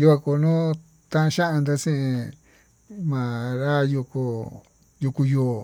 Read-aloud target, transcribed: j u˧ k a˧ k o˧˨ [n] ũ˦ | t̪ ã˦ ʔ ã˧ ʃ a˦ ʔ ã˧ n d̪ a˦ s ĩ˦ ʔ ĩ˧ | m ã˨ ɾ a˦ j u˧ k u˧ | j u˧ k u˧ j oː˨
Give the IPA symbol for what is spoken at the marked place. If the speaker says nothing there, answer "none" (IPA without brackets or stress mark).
n